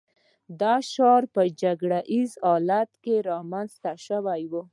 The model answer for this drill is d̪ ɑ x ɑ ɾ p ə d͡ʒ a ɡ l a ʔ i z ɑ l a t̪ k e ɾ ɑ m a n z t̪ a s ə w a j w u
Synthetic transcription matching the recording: d̪ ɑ ʃ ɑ ɾ p ə d͡ʒ a ɡ ɽ a ʔ i z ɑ l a t̪ k e ɾ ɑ m a n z t̪ a ʃ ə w a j w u